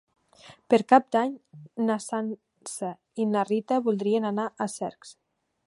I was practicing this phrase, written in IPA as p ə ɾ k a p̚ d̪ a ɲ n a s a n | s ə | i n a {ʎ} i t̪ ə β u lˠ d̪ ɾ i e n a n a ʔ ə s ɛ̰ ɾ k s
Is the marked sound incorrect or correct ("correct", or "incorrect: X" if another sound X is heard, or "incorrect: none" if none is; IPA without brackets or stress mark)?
incorrect: r